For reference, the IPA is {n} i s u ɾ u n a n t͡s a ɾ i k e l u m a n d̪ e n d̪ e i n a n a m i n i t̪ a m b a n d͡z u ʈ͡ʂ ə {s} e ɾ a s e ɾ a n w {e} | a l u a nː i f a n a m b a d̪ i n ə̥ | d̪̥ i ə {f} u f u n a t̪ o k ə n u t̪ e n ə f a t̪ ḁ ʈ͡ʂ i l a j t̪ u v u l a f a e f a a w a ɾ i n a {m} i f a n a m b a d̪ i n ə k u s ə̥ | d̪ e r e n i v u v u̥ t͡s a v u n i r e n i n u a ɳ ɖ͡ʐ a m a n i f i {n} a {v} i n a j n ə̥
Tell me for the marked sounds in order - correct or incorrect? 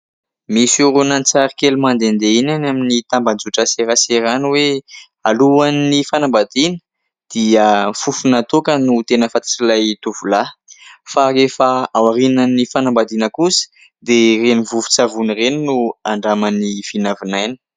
incorrect, correct, correct, correct, incorrect, correct, correct

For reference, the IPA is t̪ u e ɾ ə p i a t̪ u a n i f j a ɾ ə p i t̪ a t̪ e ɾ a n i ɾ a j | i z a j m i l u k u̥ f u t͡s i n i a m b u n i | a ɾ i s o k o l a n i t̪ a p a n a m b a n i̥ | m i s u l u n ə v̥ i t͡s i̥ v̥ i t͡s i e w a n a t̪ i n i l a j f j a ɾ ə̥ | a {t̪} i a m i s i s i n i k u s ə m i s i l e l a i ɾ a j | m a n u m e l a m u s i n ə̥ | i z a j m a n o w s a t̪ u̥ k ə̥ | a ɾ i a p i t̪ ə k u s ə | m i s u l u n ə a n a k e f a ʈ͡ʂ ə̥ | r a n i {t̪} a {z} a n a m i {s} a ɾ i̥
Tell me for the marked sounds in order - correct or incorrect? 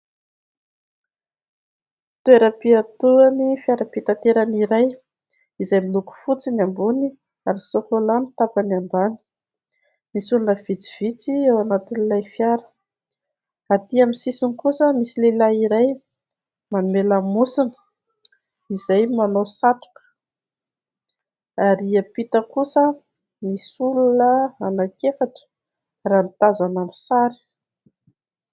correct, correct, correct, correct

